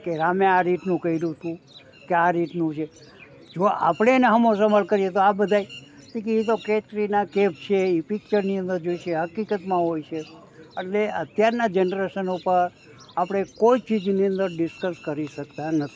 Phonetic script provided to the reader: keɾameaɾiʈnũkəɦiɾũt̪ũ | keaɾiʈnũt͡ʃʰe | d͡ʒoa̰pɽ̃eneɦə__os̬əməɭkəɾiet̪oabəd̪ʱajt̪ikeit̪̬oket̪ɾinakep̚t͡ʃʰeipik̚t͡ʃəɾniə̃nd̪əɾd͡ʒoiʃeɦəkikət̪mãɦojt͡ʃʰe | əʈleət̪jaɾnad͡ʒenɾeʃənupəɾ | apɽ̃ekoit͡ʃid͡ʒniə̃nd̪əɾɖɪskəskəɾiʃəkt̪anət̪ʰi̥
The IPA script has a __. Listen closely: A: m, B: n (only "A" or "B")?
A